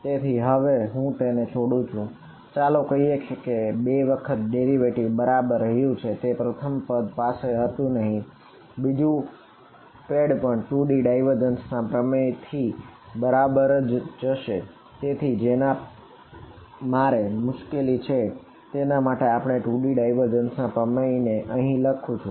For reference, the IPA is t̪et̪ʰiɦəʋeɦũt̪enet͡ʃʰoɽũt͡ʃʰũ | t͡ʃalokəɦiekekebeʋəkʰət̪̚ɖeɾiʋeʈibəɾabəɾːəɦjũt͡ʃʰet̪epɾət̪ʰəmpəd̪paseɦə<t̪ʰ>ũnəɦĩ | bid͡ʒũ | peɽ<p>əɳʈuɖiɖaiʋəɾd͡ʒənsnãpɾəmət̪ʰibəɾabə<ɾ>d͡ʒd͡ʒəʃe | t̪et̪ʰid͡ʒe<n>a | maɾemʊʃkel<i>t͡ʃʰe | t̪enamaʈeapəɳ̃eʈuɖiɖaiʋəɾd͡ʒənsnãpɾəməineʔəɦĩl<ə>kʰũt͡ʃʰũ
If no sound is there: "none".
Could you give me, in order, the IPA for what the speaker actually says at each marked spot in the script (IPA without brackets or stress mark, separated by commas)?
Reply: t̪, p, ɾ, n, i, ə